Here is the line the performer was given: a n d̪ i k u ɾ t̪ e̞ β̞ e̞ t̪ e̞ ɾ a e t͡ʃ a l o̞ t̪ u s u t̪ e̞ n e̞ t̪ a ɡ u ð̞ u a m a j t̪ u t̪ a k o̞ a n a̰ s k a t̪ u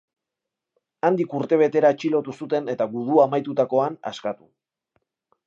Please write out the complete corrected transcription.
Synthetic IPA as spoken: a n d̪ i k u ɾ t̪ e̞ β̞ e̞ t̪ e̞ ɾ a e t͡ʃ i l o̞ t̪ u s u t̪ e̞ n e̞ t̪ a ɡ u ð̞ u a m a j t̪ u t̪ a k o̞ a n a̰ s k a t̪ u